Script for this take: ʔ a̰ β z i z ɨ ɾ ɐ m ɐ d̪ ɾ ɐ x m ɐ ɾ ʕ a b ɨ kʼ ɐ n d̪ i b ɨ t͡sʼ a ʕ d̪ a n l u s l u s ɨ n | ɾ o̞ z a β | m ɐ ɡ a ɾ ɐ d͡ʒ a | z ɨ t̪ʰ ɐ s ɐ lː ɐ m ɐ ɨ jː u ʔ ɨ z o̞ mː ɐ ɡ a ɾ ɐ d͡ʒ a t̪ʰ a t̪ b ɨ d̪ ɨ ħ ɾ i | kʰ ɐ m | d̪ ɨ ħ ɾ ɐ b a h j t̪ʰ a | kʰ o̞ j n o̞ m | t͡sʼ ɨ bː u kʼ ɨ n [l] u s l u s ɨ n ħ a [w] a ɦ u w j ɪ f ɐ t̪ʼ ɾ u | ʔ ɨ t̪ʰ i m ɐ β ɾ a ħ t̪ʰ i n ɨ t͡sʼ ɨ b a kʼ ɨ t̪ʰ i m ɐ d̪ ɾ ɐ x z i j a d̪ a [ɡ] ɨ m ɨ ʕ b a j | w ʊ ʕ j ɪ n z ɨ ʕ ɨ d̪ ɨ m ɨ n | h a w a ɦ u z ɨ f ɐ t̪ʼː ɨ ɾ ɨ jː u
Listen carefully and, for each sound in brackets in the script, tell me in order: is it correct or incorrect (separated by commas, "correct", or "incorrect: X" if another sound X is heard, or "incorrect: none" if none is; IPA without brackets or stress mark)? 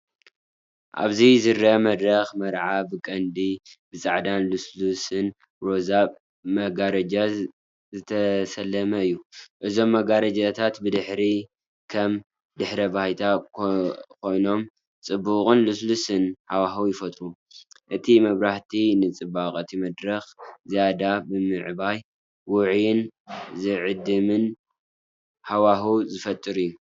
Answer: correct, correct, incorrect: b